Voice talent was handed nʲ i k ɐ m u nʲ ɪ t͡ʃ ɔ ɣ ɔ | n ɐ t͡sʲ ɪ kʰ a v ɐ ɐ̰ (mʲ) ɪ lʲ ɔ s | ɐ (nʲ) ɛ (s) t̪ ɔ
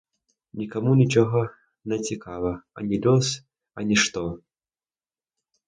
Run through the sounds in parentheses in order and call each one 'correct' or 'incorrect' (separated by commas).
incorrect, correct, incorrect